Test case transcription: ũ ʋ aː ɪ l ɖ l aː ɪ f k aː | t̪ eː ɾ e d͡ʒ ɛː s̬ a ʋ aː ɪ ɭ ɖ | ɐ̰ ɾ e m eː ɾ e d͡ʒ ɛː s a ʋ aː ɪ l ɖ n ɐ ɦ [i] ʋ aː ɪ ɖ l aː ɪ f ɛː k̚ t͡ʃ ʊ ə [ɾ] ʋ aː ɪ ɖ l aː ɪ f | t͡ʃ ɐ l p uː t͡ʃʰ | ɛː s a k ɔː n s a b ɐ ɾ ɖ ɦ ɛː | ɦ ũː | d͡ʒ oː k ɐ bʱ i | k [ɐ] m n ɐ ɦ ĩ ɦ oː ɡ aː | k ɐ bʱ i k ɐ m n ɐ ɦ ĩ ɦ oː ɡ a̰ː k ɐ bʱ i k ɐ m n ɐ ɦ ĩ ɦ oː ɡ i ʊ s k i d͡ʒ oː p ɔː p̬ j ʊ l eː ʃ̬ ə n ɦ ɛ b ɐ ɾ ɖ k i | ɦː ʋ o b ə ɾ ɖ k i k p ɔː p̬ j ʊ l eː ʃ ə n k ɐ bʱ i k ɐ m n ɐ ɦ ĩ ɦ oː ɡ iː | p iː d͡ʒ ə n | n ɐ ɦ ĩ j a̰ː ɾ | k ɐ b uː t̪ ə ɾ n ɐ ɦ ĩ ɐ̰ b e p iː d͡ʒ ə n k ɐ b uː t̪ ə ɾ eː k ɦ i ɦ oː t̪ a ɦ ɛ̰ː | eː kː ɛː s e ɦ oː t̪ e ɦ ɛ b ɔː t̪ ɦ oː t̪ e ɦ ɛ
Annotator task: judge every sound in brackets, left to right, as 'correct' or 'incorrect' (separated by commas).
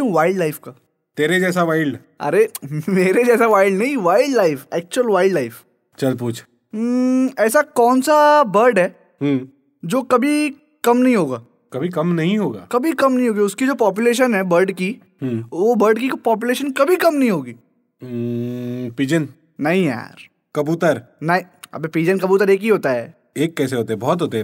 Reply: incorrect, incorrect, correct